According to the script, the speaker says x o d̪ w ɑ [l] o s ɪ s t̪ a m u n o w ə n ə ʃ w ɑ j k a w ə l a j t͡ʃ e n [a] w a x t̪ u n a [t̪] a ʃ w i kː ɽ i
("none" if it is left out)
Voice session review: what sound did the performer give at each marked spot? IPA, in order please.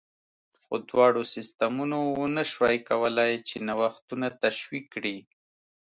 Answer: ɽ, a, t̪

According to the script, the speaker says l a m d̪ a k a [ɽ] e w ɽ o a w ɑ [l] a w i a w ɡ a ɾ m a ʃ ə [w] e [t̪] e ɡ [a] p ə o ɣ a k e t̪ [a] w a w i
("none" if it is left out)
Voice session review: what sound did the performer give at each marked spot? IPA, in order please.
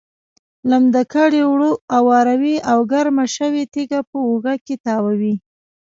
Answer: ɽ, ɾ, w, t̪, a, ɑ

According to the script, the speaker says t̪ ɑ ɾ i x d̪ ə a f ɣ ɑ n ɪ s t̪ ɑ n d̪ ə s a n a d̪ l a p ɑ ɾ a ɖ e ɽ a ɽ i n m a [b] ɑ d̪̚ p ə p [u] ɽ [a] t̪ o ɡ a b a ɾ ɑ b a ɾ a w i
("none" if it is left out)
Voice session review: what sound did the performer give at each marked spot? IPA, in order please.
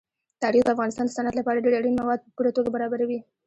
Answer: w, u, a

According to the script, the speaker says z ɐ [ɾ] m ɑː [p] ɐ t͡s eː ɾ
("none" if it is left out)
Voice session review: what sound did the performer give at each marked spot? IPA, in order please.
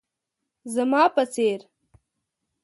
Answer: none, p

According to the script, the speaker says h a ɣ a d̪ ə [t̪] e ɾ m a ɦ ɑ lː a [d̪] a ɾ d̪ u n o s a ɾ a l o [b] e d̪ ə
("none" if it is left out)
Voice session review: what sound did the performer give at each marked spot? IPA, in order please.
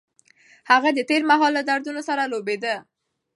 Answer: t̪, d̪, b

